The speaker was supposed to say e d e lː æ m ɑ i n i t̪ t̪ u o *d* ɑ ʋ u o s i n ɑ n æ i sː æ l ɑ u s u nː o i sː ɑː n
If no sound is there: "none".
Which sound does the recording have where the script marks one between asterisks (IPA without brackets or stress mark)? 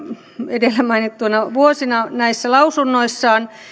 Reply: n